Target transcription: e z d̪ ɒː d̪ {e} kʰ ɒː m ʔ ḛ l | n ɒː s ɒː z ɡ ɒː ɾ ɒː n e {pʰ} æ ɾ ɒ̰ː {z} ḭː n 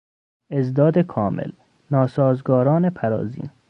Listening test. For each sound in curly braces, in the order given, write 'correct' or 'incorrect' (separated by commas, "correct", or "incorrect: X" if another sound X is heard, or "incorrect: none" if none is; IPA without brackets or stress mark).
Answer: correct, correct, correct